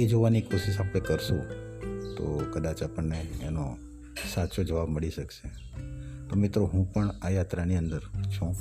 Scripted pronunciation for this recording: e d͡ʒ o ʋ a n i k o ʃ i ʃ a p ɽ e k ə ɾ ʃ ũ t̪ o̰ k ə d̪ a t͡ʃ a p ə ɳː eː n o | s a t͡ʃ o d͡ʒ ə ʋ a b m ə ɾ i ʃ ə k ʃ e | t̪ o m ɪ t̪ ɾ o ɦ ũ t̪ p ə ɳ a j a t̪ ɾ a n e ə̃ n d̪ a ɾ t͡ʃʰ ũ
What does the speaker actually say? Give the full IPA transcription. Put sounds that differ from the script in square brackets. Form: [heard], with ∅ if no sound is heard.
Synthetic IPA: e d͡ʒ o ʋ a n i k o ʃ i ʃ a p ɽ e k ə ɾ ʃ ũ t̪ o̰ k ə d̪ a t͡ʃ a p ə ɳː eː n o | s a t͡ʃ o d͡ʒ ə ʋ a b m ə [ɭ] i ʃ ə k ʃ e | t̪ o m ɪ t̪ ɾ o ɦ ũ [∅] p ə ɳ a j a t̪ ɾ a n [i] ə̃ n d̪ [ə] ɾ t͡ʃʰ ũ